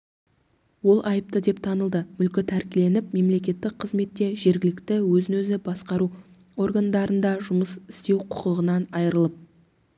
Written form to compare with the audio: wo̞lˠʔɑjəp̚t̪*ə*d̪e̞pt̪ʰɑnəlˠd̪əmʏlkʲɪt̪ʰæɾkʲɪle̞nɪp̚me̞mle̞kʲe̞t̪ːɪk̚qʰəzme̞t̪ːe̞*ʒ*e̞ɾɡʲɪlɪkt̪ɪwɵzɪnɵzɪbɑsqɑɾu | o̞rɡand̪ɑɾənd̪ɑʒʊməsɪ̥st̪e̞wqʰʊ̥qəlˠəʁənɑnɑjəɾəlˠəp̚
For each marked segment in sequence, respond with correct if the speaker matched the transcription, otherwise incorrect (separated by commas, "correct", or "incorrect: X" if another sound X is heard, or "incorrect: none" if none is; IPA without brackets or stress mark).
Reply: correct, correct